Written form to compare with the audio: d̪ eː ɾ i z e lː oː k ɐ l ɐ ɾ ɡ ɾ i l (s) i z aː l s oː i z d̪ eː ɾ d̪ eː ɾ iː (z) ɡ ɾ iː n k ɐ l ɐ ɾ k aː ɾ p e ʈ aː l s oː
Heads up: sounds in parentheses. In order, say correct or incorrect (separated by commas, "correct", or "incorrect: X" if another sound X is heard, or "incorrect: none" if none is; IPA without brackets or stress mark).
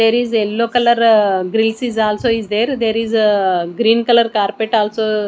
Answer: correct, correct